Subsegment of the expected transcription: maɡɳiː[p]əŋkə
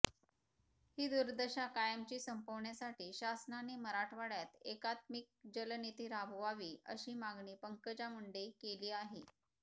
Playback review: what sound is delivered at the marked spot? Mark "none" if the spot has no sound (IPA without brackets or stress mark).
p